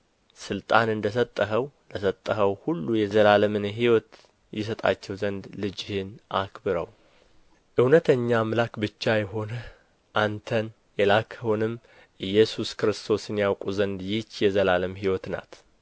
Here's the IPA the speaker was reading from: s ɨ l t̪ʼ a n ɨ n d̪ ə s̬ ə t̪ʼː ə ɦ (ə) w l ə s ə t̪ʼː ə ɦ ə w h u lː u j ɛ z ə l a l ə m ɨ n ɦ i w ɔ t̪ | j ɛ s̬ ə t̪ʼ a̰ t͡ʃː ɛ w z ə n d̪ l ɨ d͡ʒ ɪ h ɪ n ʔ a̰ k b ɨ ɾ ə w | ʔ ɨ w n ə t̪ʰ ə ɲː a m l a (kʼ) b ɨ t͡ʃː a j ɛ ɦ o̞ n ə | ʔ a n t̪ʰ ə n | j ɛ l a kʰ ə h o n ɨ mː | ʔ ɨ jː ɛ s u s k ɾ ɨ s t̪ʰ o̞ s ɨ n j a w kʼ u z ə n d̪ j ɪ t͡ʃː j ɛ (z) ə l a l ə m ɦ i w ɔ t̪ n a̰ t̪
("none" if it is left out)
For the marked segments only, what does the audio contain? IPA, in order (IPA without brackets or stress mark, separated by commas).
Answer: ə, k, z